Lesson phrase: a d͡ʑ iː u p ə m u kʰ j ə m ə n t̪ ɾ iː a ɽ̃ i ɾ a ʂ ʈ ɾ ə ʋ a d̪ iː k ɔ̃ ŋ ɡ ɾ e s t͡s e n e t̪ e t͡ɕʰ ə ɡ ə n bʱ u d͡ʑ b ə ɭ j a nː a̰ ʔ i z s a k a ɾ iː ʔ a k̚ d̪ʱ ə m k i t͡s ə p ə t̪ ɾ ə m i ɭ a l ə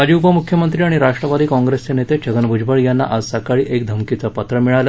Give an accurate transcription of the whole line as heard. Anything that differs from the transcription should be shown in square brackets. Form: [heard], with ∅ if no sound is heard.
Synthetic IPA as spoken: a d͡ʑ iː u p ə m u kʰ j ə m ə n t̪ ɾ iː a ɽ̃ i ɾ a ʂ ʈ ɾ ə ʋ a d̪ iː k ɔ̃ ŋ ɡ ɾ e s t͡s e n e t̪ e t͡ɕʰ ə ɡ ə n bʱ u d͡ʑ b ə ɭ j a nː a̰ ʔ [a] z s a k a [ɭ] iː ʔ [e] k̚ d̪ʱ ə m k i t͡s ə p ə t̪ ɾ ə m i ɭ a l ə